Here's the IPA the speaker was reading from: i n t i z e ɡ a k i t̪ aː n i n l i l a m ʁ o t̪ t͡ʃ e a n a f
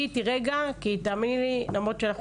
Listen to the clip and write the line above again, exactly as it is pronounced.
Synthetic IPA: i t i ʁ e ɡ a k i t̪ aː m i n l i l a m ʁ o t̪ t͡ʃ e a n a χ